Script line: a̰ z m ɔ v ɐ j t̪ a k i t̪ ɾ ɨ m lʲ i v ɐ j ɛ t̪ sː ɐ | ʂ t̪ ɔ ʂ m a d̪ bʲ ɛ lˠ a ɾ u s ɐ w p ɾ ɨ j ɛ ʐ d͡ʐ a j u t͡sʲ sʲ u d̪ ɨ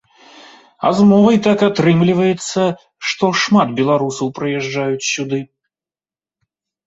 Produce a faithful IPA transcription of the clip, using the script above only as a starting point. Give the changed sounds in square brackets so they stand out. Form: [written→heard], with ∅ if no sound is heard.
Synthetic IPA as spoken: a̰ z m ɔ v ɐ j t̪ a k [i→a] t̪ ɾ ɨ m lʲ i v ɐ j ɛ t̪ sː ɐ | ʂ t̪ ɔ ʂ m a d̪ bʲ ɛ lˠ a ɾ u s ɐ w p ɾ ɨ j ɛ ʐ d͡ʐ a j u t͡sʲ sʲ u d̪ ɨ